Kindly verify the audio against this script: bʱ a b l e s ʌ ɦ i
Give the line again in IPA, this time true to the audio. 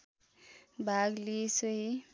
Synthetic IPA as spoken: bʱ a ɡ l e s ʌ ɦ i